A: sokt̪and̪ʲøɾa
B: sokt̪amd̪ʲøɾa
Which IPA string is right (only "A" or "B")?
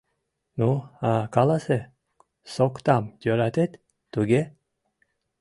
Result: B